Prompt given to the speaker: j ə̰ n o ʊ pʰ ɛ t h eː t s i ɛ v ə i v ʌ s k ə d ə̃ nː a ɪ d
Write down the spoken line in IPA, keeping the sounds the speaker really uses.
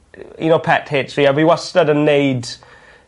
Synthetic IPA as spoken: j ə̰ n o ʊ pʰ ɛ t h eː t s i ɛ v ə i w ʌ s t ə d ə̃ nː e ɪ d